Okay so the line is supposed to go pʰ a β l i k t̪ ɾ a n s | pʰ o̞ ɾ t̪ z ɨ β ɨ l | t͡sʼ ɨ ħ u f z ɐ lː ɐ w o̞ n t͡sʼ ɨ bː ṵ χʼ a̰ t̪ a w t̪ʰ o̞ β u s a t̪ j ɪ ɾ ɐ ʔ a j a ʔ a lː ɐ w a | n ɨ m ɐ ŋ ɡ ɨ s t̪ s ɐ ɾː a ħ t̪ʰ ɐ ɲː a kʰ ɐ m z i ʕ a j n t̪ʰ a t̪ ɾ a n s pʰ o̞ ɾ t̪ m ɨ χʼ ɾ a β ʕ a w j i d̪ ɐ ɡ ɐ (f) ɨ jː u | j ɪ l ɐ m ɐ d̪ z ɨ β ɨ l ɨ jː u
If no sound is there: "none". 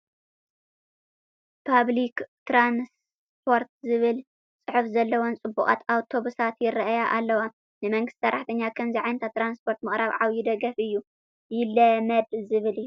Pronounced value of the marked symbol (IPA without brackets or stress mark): f